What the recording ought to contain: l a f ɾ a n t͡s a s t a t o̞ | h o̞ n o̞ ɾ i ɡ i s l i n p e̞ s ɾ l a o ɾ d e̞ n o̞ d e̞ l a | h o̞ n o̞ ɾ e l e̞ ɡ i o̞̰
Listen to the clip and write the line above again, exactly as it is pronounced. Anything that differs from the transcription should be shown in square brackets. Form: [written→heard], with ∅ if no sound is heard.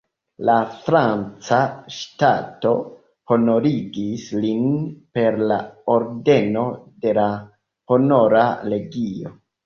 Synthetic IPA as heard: l a f ɾ a n t͡s a [s→ʃ] t a t o̞ | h o̞ n o̞ ɾ i ɡ i s l i n p e̞ [s→∅] ɾ l a o ɾ d e̞ n o̞ d e̞ l a | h o̞ n o̞ ɾ [e→a] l e̞ ɡ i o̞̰